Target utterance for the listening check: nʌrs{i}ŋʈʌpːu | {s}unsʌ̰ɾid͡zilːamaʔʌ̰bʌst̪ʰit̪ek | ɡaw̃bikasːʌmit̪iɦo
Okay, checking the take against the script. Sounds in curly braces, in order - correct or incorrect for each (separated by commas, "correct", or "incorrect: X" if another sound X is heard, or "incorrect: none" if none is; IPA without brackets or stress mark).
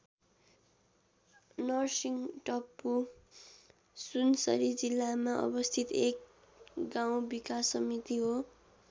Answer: correct, correct